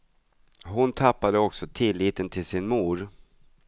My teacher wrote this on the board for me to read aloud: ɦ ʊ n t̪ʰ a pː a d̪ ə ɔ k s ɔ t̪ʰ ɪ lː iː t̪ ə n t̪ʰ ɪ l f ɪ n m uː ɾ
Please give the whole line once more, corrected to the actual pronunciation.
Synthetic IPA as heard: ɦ ʊ n t̪ʰ a pː a d̪ ə ɔ k s ɔ t̪ʰ ɪ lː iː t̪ ə n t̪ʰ ɪ l s ɪ n m uː ɾ